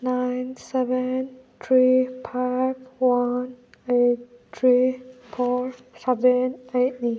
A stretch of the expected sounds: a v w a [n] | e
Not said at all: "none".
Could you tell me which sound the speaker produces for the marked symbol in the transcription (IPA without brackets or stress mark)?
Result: n